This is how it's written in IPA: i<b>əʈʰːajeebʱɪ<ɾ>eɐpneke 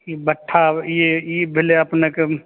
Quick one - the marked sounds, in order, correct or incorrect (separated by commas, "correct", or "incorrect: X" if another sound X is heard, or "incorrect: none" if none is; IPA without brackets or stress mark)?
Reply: correct, incorrect: l